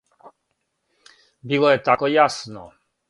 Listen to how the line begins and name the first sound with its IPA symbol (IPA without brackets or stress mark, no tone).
b